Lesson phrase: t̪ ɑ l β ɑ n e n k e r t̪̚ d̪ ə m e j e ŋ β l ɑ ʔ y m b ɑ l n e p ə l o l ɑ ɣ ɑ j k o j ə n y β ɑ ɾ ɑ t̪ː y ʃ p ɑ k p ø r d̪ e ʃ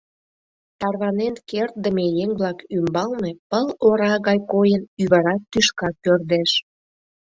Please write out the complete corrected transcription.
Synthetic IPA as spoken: t̪ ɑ r β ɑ n e n k e r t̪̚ d̪ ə m e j e ŋ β l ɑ k y m b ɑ l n e p ə l o ɾ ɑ ɣ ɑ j k o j ə n y β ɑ ɾ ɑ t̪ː y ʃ k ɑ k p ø r d̪ e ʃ